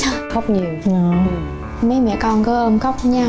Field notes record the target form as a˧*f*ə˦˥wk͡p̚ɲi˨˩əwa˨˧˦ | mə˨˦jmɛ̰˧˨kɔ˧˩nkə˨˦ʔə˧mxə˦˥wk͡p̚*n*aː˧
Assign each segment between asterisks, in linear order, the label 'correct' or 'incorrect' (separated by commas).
incorrect, incorrect